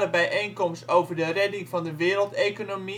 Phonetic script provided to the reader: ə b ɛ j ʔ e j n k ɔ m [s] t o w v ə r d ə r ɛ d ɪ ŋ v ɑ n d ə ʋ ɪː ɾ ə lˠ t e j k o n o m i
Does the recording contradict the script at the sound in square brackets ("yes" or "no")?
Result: no